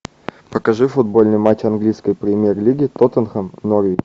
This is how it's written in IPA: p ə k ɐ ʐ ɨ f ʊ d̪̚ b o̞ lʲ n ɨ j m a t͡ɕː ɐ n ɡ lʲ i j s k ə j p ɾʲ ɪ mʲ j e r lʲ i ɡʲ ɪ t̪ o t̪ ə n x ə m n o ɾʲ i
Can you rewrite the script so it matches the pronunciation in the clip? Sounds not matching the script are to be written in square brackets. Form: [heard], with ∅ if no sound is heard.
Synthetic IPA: p ə k ɐ ʐ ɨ f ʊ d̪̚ b o̞ lʲ n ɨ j m a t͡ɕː ɐ n ɡ lʲ i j s k ə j p ɾʲ ɪ mʲ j e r lʲ i ɡʲ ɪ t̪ o t̪ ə n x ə m n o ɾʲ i